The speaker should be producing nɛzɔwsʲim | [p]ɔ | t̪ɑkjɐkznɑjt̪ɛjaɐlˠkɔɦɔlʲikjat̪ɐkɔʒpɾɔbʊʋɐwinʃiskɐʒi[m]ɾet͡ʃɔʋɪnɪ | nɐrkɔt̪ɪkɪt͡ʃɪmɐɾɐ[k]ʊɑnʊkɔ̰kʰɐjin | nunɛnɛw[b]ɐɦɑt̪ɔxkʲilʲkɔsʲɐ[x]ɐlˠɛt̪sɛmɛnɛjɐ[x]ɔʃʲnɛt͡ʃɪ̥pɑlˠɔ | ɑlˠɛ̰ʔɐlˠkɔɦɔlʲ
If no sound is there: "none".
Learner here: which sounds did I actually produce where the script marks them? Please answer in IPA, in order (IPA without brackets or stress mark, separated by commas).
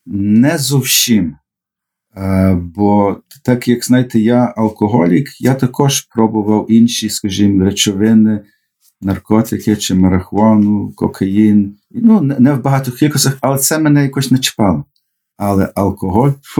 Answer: b, m, x, b, x, k